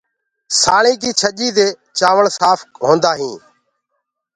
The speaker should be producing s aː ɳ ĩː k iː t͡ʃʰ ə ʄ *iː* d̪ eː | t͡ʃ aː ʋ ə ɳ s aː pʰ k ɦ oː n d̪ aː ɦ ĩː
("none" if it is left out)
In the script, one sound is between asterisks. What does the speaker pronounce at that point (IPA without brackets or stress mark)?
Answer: iː